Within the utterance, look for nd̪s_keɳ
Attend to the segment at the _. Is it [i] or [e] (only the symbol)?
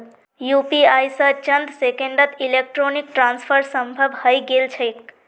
e